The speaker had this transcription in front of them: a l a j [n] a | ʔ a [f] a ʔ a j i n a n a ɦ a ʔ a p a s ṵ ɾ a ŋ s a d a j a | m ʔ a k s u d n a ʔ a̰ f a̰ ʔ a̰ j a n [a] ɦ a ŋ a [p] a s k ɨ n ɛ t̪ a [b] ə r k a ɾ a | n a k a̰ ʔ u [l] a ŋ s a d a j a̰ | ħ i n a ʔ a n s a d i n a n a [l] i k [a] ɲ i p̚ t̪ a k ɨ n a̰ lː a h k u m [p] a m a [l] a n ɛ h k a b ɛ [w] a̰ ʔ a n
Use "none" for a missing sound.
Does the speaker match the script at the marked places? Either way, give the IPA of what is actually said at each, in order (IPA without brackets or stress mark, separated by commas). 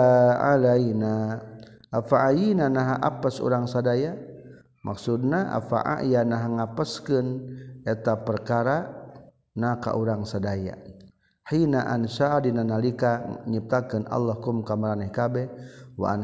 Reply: n, f, a, p, p, ɾ, l, a, k, ɾ, w